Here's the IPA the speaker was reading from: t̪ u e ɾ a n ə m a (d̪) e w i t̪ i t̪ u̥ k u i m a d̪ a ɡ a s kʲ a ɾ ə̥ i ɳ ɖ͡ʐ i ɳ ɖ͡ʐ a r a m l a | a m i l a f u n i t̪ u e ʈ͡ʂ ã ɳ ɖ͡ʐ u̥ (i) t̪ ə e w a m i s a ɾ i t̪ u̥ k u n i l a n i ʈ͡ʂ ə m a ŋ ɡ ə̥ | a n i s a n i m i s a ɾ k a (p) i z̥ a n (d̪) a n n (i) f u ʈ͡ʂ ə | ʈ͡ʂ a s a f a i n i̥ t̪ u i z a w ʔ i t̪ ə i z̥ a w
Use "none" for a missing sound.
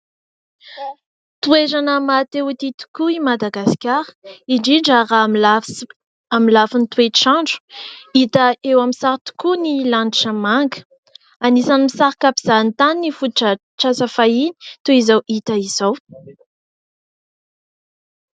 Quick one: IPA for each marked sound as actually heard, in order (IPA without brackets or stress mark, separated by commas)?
t̪, i, p, t̪, i